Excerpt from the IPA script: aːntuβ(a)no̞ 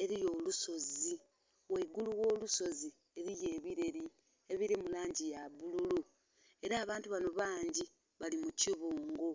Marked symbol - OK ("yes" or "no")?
yes